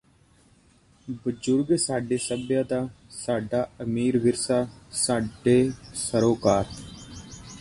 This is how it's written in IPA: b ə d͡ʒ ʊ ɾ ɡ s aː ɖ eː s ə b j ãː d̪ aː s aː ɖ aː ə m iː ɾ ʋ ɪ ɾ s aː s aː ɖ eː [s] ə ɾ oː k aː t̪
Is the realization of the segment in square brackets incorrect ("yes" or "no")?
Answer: no